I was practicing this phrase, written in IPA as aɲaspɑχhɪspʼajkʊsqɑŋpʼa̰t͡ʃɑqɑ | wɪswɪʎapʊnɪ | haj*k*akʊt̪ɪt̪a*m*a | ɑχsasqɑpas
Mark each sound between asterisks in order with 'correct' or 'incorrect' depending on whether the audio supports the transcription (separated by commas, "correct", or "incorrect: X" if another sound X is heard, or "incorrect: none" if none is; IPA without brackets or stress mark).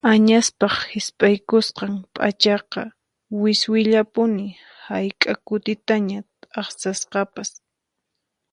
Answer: incorrect: kʼ, incorrect: ɲ